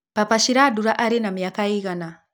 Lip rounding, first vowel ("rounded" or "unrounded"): unrounded